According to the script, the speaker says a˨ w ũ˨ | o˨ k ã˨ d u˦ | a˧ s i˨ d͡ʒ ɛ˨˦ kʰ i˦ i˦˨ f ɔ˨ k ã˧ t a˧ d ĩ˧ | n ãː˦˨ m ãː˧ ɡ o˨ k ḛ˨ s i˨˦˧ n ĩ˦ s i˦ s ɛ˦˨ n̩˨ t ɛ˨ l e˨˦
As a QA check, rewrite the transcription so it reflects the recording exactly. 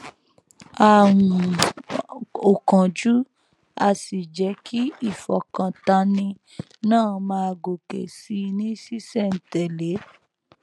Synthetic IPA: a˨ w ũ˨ | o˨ k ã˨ d͡ʒ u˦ | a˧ s i˨ d͡ʒ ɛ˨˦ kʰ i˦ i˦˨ f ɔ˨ k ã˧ t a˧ n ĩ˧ | n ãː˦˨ m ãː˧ ɡ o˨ k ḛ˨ s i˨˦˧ n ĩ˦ s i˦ s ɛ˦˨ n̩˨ t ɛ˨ l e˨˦

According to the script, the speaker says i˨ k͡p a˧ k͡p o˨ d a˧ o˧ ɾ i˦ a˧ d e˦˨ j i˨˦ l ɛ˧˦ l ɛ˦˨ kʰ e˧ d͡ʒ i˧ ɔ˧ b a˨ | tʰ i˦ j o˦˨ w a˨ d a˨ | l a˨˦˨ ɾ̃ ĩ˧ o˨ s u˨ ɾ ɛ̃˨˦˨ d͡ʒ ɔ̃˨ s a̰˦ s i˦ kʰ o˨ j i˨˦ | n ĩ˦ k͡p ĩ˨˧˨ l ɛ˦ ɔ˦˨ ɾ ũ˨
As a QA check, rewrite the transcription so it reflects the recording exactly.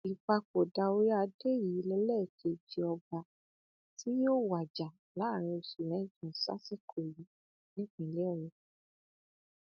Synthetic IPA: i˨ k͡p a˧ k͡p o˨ d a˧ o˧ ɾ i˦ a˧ d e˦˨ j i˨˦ l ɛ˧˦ l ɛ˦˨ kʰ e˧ d͡ʒ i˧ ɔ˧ b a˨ | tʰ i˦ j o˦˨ w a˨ d͡ʒ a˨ | l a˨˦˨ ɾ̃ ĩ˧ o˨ s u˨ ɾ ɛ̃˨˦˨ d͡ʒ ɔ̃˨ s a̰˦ s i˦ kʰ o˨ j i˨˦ | n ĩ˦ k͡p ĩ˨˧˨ l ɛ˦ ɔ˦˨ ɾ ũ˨

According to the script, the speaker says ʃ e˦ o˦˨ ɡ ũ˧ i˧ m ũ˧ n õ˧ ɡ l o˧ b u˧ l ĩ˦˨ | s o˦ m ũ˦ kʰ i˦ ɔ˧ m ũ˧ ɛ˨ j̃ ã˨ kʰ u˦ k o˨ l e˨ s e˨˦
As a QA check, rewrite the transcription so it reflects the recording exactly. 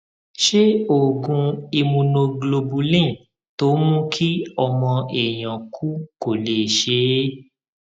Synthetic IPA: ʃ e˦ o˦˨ ɡ ũ˧ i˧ m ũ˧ n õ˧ ɡ l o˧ b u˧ l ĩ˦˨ | t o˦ m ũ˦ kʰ i˦ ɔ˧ m ɔ̃˧ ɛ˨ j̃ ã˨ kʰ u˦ k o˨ l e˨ ʃ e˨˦

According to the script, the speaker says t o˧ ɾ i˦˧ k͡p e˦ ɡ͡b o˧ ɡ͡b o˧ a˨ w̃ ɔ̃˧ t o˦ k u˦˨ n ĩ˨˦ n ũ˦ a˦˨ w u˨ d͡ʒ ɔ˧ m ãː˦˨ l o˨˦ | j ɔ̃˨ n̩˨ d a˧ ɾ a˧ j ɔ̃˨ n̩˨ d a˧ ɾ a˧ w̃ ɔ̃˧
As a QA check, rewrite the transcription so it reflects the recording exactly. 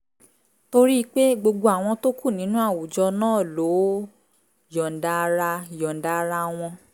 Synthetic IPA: t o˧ ɾ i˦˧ k͡p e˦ ɡ͡b o˧ ɡ͡b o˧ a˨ w̃ ɔ̃˧ t o˦ k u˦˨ n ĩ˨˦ n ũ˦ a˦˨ w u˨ d͡ʒ ɔ˧ n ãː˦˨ l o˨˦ | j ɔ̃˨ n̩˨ d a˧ ɾ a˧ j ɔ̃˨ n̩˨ d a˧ ɾ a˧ w̃ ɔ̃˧

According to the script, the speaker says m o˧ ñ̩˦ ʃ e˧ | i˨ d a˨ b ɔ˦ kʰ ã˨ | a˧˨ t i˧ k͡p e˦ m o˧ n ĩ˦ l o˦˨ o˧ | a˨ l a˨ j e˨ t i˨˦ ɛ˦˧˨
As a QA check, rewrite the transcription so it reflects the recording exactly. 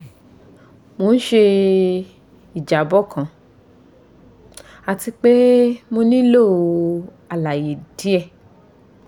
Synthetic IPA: m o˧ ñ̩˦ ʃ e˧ | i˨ d͡ʒ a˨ b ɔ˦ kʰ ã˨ | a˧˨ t i˧ k͡p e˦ m o˧ n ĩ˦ l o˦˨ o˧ | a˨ l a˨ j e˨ d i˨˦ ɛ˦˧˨

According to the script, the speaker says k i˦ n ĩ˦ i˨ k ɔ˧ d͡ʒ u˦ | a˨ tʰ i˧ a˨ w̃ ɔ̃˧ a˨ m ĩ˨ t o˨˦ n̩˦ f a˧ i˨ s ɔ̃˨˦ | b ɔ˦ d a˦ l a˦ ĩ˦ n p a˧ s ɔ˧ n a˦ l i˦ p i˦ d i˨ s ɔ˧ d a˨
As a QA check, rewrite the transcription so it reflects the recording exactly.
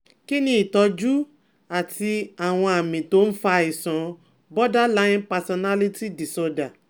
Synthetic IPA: k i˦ n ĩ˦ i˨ t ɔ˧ d͡ʒ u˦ | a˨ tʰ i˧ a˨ w̃ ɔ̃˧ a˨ m ĩ˨ t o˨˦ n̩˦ f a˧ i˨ s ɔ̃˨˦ | b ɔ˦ d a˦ l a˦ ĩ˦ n p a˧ s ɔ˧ n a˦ l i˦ t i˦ d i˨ s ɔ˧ d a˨

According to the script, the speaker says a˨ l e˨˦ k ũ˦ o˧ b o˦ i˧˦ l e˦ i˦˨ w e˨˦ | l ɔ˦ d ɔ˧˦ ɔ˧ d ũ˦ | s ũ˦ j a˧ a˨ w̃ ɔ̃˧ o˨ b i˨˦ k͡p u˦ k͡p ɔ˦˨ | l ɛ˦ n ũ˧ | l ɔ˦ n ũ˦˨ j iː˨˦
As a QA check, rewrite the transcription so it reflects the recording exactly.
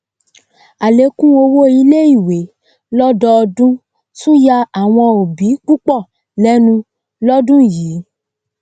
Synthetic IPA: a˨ l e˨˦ k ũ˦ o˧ w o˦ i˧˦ l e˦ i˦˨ w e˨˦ | l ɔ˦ d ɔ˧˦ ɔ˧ d ũ˦ | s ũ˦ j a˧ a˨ w̃ ɔ̃˧ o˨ b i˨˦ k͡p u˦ k͡p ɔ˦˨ | l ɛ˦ n ũ˧ | l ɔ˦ d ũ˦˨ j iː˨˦

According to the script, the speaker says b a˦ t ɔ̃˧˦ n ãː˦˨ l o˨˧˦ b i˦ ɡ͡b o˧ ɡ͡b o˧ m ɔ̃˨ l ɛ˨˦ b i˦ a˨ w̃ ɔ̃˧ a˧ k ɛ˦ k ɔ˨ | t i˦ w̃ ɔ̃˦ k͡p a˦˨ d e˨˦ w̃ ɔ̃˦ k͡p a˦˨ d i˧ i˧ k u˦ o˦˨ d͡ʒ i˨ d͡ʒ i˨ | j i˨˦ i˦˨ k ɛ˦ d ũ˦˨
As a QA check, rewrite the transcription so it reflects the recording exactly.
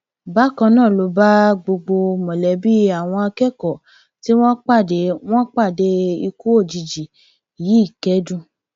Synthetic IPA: b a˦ k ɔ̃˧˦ n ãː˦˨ l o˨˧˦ b a˦ ɡ͡b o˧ ɡ͡b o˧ m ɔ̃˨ l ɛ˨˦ b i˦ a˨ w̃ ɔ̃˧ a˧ k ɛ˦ k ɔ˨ | t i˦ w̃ ɔ̃˦ k͡p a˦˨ d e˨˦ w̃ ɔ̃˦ k͡p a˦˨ d e˧ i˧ k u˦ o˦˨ d͡ʒ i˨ d͡ʒ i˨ | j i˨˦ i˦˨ k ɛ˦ d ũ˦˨

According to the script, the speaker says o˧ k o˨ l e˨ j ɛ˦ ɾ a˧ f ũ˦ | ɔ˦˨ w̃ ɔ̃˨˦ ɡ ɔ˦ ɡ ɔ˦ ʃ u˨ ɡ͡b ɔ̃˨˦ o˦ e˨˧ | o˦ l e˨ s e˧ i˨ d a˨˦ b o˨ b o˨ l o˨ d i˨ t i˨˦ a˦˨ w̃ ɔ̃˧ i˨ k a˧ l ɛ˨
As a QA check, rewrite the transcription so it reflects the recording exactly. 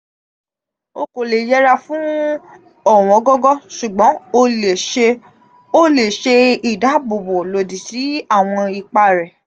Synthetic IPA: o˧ k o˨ l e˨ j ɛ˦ ɾ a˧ f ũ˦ | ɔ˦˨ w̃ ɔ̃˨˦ ɡ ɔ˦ ɡ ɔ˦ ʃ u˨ ɡ͡b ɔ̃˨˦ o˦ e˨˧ | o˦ l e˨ ʃ e˧ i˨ d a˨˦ b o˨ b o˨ l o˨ d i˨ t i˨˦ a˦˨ w̃ ɔ̃˧ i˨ k͡p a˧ ɾ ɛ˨

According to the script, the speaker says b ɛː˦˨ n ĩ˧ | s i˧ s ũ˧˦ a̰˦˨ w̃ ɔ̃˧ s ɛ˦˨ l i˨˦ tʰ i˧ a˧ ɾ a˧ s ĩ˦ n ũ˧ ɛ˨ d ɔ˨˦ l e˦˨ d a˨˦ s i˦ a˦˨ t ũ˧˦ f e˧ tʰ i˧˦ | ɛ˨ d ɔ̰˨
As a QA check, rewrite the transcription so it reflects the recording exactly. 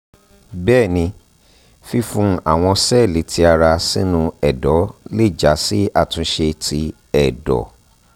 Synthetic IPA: b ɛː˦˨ n ĩ˧ | f i˧ f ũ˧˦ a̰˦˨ w̃ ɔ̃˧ s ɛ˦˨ l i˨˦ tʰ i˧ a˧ ɾ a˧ s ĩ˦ n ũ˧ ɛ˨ d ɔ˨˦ l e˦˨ d͡ʒ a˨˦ s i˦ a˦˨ t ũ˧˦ ʃ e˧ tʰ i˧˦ | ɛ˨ d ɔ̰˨

